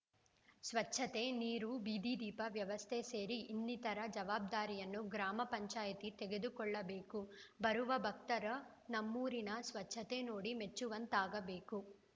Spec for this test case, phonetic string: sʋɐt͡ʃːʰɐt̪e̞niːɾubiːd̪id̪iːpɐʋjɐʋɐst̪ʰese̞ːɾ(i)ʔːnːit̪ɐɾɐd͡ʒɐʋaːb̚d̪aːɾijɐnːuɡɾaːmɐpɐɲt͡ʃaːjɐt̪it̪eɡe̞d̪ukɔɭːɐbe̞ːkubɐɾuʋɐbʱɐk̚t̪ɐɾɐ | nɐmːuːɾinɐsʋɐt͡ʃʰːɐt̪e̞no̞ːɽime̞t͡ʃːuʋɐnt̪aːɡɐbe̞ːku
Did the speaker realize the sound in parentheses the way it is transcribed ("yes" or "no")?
yes